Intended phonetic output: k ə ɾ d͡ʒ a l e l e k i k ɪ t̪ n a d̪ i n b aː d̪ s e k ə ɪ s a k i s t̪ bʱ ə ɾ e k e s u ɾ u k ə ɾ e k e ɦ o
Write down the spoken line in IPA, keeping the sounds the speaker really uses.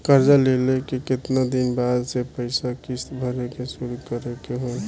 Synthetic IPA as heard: k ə ɾ d͡ʒ a l e l e k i k ɪ t̪ n a d̪ i n b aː d̪ s e p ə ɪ s a k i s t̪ bʱ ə ɾ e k e s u ɾ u k ə ɾ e k e ɦ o